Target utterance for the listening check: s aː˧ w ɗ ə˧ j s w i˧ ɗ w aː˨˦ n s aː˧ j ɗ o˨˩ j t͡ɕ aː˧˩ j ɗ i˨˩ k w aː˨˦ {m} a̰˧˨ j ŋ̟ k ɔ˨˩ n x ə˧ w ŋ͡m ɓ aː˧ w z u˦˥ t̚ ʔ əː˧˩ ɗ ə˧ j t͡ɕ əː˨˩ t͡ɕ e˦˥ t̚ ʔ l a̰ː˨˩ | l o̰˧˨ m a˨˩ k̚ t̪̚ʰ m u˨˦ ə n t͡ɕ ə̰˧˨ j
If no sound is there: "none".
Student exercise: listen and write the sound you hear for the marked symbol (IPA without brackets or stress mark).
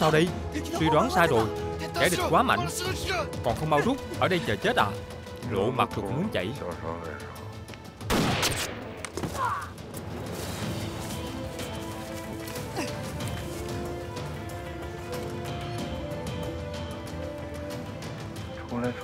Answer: m